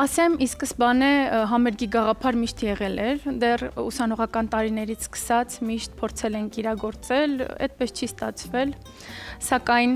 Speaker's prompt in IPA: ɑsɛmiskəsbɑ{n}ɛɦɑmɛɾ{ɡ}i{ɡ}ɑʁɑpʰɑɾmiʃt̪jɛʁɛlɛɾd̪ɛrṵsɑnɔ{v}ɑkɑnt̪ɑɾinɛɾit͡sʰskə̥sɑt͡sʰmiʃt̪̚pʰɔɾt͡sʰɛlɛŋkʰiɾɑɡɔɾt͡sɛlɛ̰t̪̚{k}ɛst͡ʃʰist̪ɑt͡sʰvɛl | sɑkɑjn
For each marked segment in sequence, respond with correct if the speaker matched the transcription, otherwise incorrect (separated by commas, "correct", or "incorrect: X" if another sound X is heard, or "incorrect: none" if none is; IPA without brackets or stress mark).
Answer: correct, correct, correct, incorrect: ʁ, incorrect: p